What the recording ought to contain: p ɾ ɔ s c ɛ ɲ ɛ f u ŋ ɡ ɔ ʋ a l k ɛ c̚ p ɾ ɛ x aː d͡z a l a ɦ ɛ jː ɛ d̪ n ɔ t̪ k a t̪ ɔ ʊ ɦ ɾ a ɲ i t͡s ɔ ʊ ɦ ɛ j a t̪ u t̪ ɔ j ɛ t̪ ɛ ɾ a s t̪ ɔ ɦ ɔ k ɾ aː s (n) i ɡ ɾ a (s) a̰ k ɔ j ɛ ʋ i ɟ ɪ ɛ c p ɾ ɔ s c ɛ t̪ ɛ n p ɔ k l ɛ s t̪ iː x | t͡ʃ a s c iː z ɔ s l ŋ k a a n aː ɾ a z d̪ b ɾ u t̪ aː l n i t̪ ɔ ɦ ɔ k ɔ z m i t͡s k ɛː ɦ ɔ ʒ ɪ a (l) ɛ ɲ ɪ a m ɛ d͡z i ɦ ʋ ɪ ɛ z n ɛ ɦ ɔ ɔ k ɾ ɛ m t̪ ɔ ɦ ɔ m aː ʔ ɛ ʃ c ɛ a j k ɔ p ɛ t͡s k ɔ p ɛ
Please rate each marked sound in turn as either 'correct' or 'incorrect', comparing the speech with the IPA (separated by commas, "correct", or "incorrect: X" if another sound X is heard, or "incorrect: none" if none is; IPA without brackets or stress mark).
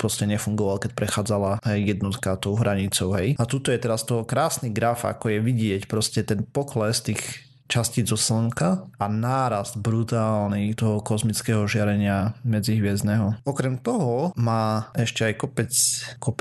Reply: correct, incorrect: f, incorrect: ɾ